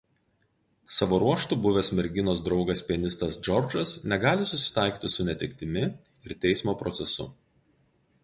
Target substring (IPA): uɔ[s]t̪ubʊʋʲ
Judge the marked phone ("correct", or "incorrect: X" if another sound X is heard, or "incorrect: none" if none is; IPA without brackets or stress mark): incorrect: ʃ